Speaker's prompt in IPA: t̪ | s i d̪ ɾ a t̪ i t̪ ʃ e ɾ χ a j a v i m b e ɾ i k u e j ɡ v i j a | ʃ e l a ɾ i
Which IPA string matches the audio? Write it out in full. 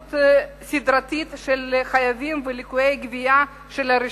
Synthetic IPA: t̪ | s i d̪ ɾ a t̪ i t̪ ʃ e l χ a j a v i m v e l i k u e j ɡ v i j a | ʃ e l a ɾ i